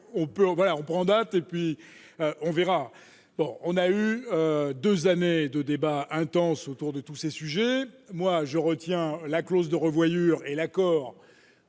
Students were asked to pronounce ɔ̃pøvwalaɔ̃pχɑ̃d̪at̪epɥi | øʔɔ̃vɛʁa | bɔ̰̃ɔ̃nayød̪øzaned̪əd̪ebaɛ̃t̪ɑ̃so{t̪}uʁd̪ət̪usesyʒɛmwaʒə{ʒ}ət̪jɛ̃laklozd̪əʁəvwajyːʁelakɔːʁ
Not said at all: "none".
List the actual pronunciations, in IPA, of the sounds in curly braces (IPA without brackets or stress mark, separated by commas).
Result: t̪, ʁ